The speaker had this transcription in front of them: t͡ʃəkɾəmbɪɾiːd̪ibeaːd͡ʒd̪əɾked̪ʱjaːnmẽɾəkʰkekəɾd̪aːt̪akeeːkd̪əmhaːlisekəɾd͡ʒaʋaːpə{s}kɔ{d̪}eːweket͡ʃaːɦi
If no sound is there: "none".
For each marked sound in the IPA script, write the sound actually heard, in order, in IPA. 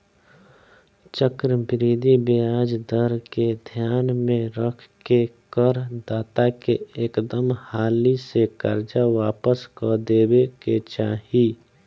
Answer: s, d̪

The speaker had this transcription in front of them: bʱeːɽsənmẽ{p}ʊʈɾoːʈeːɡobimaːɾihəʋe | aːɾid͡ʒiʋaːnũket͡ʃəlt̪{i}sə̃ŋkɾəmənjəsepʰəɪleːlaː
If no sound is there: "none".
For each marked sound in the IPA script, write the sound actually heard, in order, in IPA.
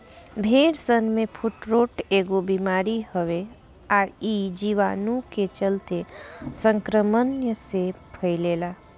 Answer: pʰ, e

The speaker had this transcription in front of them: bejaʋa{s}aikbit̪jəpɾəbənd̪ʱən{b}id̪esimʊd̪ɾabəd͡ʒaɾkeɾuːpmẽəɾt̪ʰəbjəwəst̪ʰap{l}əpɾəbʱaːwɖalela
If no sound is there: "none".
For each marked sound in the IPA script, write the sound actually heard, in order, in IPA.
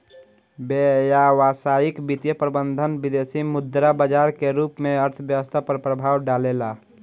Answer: s, b, ɾ

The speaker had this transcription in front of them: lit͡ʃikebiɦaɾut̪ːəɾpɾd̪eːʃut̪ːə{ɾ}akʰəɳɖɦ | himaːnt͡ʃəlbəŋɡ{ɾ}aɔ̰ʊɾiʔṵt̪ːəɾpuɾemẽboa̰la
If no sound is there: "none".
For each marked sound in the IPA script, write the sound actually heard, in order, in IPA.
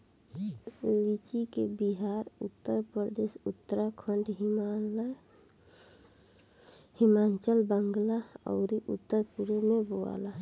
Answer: ɾ, l

